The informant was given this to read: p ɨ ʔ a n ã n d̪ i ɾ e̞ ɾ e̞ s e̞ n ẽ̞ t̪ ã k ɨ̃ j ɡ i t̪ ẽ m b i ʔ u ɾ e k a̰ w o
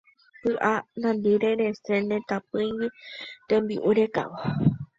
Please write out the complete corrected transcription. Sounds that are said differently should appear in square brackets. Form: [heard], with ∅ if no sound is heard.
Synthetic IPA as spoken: p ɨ ʔ a n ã n d̪ i ɾ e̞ ɾ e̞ s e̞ n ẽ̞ t̪ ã [p] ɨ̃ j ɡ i t̪ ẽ m b i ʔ u ɾ e k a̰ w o